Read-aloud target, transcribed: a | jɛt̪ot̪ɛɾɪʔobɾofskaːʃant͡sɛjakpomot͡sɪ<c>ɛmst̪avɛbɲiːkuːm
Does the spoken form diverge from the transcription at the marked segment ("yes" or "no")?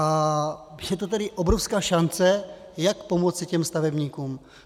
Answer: no